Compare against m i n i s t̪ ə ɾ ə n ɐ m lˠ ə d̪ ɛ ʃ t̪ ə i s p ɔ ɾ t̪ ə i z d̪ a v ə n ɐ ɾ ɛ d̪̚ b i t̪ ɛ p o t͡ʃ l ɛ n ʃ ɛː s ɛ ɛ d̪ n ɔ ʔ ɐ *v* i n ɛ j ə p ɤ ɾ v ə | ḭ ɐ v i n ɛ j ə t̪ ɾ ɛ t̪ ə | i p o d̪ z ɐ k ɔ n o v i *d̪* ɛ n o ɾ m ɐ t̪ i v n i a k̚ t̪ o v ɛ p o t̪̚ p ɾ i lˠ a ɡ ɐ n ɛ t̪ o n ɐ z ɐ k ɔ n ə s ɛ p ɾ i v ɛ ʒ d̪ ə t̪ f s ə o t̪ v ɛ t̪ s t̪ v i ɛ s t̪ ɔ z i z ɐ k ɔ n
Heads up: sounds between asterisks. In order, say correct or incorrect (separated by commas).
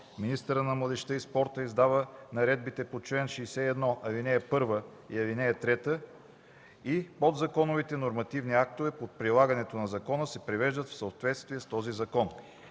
correct, incorrect